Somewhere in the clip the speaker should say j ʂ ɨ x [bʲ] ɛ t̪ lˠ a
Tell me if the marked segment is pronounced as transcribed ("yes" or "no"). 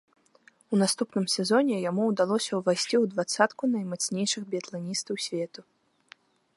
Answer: yes